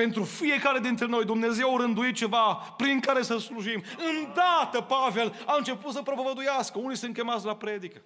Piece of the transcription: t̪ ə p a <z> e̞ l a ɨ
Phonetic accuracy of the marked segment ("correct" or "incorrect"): incorrect